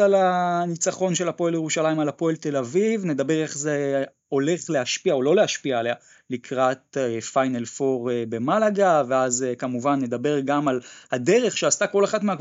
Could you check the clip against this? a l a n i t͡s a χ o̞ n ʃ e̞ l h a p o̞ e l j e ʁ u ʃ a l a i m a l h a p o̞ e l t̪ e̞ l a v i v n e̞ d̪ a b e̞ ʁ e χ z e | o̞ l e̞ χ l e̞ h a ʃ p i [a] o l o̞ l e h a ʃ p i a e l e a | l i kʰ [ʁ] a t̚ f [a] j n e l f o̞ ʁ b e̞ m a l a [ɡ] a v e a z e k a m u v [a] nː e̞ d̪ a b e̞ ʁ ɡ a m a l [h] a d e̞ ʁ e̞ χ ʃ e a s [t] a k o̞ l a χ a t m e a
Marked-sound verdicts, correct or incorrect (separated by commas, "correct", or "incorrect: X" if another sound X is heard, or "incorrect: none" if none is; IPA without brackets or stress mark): correct, correct, correct, correct, correct, correct, correct